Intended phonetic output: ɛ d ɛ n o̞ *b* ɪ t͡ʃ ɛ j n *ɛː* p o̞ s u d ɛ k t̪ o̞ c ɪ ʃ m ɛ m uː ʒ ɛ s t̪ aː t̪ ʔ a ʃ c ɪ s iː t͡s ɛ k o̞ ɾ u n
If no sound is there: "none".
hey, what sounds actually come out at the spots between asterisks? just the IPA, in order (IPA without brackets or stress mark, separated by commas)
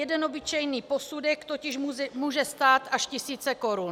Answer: b, iː